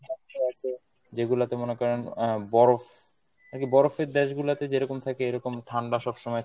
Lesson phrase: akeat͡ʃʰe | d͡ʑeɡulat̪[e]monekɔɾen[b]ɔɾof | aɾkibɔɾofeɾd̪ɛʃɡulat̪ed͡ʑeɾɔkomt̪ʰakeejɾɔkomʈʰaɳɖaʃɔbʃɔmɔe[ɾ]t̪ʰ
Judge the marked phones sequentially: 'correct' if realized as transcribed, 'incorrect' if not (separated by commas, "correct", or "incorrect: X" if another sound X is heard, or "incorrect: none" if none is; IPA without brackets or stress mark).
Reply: correct, correct, incorrect: none